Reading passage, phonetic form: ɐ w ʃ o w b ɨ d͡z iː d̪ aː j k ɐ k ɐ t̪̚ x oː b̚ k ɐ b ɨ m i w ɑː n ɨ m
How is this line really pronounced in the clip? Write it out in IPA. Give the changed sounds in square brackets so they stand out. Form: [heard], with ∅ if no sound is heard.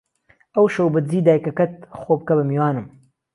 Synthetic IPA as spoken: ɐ w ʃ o w b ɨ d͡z iː d̪ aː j k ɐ k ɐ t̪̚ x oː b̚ k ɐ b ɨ m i w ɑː n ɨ m